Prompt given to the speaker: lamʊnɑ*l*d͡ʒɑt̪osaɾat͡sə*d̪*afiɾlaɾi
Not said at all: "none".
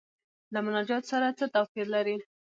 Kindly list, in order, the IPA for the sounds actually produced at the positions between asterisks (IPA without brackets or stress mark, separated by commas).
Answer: none, t̪